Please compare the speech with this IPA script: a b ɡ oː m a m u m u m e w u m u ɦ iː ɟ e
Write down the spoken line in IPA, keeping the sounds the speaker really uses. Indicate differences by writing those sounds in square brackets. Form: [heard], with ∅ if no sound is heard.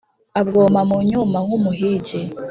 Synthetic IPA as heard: a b ɡ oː m a m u [ɲ] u m [a] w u m u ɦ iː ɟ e